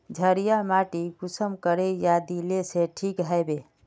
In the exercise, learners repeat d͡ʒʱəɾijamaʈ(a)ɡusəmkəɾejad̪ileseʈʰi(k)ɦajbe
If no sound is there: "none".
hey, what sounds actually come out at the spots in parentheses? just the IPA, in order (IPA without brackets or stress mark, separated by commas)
i, k